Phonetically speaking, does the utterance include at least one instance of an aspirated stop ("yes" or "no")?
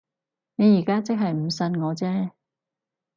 no